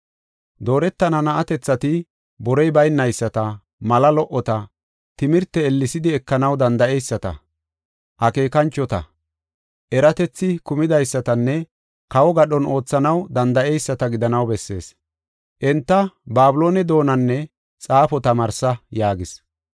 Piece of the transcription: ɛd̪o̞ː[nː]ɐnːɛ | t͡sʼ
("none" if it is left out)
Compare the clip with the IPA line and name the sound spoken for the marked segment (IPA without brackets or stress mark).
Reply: n